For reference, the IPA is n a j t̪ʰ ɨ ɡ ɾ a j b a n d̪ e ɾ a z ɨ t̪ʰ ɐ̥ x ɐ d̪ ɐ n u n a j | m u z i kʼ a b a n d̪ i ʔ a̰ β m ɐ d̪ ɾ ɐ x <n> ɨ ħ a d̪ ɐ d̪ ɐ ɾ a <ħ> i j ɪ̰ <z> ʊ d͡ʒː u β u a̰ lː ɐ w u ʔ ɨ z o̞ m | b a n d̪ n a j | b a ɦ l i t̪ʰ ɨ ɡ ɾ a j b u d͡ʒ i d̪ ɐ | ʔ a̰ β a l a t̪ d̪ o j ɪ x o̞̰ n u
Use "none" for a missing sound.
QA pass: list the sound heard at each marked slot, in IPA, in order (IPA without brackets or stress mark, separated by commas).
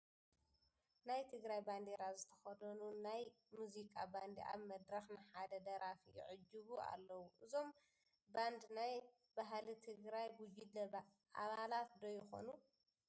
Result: n, f, ʕ